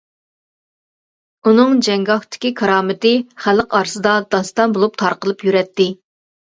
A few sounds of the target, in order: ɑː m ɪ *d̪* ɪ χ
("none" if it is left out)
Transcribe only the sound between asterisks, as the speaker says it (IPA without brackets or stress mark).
t̪